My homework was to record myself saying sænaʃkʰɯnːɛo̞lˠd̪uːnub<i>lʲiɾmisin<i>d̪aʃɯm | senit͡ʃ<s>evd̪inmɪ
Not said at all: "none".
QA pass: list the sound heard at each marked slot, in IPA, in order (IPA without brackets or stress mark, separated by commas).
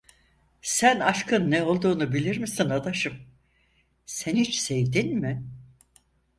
i, a, s